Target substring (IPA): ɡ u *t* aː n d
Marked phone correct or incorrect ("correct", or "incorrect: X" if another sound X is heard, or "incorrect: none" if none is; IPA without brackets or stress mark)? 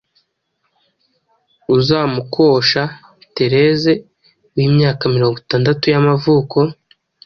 correct